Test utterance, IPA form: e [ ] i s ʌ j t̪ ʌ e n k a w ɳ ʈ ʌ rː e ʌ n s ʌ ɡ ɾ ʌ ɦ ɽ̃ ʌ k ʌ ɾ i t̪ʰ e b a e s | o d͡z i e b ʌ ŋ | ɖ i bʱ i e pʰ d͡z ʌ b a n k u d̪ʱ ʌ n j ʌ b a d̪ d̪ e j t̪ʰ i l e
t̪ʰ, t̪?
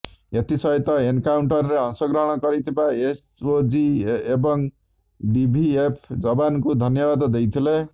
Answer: t̪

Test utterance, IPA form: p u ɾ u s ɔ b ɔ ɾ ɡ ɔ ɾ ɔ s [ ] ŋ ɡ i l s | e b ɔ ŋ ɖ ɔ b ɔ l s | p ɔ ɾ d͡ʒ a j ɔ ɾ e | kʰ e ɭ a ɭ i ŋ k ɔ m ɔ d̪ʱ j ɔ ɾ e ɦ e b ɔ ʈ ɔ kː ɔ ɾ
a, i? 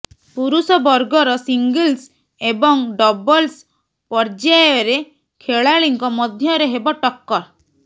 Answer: i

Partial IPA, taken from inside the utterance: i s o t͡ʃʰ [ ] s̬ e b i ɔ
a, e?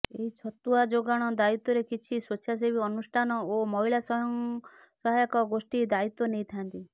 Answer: a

